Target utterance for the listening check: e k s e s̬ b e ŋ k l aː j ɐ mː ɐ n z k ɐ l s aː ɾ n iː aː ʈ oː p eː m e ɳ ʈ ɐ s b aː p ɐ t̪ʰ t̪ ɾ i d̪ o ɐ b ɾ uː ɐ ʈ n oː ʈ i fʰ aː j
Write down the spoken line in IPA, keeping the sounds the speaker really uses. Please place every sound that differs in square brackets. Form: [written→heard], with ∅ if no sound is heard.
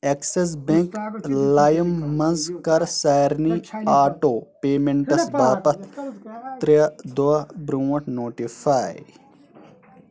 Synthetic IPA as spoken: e k s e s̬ b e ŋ k l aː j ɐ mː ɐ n z k ɐ [l→ɾ] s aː ɾ n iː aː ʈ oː p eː m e ɳ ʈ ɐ s b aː p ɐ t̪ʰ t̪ ɾ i d̪ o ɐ b ɾ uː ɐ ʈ n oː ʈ i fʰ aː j